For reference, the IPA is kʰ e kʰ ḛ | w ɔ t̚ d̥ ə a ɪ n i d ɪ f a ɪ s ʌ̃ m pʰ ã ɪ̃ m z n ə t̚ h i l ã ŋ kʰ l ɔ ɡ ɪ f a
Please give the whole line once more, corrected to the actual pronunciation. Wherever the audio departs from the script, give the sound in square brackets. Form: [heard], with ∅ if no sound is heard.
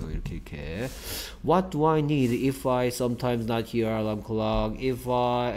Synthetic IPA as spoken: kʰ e kʰ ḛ | w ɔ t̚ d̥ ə a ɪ n i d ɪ f a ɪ s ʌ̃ m [tʰ] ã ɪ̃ m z n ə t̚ h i l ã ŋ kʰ l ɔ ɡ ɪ f a